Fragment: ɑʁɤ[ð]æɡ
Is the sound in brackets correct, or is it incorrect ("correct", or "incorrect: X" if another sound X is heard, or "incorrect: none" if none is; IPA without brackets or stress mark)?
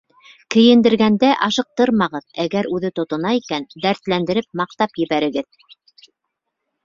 correct